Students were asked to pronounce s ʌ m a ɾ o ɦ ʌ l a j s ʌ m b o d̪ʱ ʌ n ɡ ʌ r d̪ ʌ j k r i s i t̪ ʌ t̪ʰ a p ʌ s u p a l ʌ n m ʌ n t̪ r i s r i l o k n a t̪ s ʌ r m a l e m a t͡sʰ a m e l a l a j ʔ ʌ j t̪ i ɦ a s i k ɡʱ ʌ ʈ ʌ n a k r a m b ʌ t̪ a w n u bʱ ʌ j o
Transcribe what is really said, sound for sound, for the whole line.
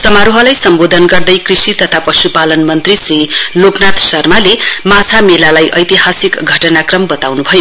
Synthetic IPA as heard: s ʌ m a ɾ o ɦ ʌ l a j s ʌ m b o d̪ʱ ʌ n ɡ ʌ r d̪ ʌ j k r i s i t̪ ʌ t̪ʰ a p ʌ s u p a l ʌ n m ʌ n t̪ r i s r i l o k n a t̪ s ʌ r m a l e m a t͡sʰ a m e l a l a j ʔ ʌ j t̪ i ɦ a s i k ɡʱ ʌ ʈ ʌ n a k r ʌ m b ʌ t̪ a w n u bʱ ʌ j o